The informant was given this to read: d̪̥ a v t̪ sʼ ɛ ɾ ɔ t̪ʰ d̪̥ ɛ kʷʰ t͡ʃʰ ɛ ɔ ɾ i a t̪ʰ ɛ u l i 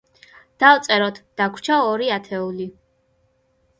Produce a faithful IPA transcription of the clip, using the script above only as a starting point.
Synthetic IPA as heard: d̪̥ a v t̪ sʼ ɛ ɾ ɔ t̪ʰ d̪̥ a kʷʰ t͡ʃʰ a ɔ ɾ i a t̪ʰ ɛ u l i